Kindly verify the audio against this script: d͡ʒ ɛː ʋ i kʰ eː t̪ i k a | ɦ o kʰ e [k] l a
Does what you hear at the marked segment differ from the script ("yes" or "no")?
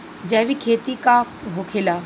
yes